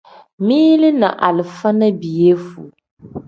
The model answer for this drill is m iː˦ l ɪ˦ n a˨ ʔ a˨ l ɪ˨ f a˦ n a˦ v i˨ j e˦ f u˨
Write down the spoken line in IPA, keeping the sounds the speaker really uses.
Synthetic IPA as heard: m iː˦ l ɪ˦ n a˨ ʔ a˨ l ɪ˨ f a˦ n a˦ b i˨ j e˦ f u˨